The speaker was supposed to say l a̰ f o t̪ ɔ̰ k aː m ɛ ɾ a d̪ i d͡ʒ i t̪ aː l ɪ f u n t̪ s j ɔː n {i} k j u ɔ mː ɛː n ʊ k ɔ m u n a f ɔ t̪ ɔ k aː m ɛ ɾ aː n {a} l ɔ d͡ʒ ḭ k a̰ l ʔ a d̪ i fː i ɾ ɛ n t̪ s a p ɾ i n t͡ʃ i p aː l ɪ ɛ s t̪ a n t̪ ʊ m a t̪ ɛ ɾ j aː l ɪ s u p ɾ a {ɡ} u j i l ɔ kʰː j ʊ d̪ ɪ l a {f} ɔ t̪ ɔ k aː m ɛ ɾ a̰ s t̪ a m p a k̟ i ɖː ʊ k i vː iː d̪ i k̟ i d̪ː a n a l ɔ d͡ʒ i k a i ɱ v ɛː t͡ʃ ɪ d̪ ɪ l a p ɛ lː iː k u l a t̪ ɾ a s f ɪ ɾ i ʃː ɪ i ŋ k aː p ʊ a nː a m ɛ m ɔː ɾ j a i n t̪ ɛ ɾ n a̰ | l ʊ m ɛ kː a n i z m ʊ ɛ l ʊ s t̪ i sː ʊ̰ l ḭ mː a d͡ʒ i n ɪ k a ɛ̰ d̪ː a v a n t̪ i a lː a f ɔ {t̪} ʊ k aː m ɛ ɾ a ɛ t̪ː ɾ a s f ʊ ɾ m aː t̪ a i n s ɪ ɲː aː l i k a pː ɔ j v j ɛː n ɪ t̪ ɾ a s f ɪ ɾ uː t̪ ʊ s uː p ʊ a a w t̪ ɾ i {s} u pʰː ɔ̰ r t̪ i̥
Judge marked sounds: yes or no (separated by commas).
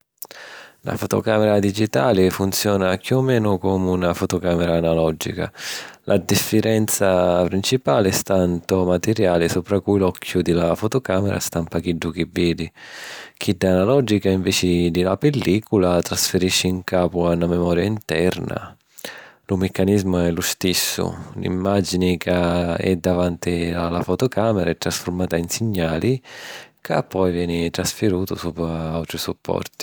no, yes, no, yes, yes, yes